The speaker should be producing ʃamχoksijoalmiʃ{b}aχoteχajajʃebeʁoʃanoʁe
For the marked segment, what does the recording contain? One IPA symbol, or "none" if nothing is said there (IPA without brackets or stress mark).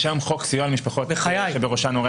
p